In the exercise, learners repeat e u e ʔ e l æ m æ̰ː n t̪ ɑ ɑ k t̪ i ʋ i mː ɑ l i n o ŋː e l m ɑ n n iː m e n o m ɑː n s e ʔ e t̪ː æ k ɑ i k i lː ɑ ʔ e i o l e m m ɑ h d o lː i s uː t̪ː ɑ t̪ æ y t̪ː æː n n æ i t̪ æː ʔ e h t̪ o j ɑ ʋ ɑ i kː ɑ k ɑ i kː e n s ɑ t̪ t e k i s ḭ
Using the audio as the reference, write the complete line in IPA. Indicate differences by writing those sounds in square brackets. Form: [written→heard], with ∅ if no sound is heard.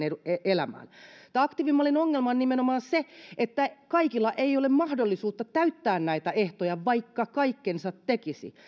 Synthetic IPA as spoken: e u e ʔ e l æ m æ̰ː n t̪ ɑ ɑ k t̪ i ʋ i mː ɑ l i n o ŋː e l m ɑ n n [iː→i] m e n o m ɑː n s e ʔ e t̪ː æ k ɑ i k i lː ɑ ʔ e i o l e m m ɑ h d o lː i s uː t̪ː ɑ t̪ æ y t̪ː æː n n æ i t̪ [æː→æ] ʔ e h t̪ o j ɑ ʋ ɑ i kː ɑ k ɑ i kː e n s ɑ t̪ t e k i s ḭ